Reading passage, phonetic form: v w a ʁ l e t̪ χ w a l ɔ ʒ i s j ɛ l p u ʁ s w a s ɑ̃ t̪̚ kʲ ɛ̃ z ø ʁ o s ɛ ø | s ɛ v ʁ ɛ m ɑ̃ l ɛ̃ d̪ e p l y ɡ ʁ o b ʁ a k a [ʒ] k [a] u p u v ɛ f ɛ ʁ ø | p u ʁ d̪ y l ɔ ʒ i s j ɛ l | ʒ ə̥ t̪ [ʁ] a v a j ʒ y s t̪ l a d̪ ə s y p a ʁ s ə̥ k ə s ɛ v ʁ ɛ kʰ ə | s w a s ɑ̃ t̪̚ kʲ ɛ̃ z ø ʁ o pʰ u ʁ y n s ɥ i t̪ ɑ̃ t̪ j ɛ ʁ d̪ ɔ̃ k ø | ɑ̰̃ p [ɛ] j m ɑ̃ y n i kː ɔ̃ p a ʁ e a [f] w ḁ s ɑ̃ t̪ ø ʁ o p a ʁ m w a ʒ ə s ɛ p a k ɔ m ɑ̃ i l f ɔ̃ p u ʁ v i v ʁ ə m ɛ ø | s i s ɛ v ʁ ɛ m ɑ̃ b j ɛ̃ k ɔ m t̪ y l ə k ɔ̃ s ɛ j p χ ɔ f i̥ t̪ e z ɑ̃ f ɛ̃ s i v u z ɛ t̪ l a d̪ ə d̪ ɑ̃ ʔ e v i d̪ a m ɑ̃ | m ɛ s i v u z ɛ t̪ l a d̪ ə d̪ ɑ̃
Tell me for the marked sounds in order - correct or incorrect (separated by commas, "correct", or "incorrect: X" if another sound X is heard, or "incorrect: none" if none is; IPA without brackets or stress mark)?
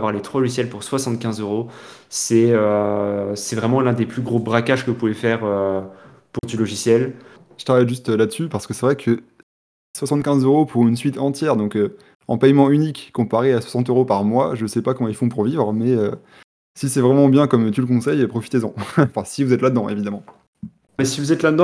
correct, incorrect: ə, incorrect: χ, correct, incorrect: s